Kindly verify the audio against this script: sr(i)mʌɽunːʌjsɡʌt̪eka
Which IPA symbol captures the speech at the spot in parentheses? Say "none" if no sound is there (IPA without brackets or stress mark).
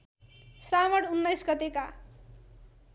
a